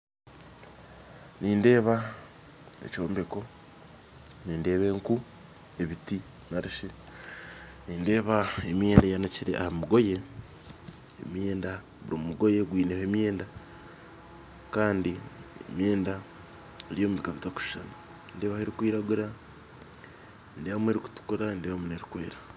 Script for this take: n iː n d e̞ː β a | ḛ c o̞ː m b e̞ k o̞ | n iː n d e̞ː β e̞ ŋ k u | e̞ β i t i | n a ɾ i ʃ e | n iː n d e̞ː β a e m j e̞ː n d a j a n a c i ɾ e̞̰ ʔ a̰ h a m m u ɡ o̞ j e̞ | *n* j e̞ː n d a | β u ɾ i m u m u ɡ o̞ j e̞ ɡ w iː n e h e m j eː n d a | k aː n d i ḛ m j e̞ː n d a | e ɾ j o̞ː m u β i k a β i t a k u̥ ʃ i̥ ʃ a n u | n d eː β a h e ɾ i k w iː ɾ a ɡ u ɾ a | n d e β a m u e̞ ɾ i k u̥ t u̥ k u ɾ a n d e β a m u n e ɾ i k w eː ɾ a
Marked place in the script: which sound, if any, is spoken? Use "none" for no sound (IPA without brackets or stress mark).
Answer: m